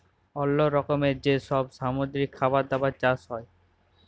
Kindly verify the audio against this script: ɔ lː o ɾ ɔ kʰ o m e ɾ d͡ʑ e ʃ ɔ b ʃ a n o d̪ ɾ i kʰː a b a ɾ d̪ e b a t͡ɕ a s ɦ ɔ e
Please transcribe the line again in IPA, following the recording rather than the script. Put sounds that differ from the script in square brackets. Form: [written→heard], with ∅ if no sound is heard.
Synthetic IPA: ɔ lː o ɾ ɔ [kʰ→k] o m e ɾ d͡ʑ e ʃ ɔ b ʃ a [n→m] o d̪ ɾ i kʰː a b a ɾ d̪ [e→a] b a t͡ɕ a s ɦ ɔ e